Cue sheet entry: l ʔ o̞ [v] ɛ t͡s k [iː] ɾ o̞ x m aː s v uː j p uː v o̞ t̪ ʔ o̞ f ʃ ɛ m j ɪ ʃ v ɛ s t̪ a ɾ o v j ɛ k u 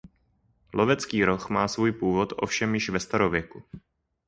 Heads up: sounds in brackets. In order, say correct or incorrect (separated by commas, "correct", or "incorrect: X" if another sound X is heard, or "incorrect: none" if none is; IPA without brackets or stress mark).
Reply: correct, correct